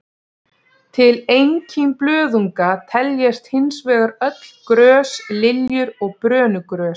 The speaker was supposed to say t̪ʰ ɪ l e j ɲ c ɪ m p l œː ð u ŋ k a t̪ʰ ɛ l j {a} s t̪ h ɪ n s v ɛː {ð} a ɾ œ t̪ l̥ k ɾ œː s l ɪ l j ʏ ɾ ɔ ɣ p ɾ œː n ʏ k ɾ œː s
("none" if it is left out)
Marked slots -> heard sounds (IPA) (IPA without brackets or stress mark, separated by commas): ɛ, ɣ